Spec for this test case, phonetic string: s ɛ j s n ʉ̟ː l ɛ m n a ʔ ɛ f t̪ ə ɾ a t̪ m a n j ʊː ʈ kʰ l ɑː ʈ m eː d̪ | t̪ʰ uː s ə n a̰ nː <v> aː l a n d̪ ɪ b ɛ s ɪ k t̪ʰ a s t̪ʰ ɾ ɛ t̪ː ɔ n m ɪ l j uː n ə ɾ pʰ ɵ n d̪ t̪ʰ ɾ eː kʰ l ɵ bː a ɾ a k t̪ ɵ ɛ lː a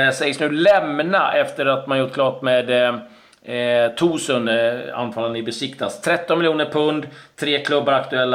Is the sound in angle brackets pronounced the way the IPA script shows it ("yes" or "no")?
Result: no